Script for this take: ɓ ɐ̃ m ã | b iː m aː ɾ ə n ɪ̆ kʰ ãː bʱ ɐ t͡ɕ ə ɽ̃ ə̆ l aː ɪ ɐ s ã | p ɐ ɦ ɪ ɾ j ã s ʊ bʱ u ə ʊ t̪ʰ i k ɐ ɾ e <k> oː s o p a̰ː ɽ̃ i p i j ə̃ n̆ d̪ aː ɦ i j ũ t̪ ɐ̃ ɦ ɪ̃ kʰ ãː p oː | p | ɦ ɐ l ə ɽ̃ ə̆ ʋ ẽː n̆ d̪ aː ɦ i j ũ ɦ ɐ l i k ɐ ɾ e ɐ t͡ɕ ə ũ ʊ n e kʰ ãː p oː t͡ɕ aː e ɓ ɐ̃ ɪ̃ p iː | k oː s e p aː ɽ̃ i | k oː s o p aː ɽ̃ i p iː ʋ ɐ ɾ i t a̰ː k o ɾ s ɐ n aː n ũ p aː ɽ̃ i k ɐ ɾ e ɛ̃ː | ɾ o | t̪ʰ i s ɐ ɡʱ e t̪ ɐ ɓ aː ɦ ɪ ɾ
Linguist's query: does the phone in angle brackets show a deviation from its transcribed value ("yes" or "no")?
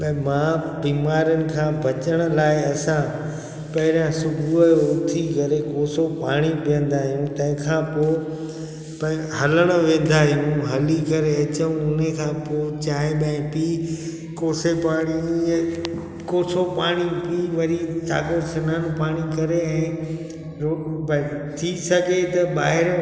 no